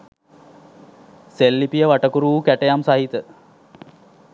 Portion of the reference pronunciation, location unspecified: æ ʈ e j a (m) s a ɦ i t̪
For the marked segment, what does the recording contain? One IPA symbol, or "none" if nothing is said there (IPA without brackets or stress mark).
m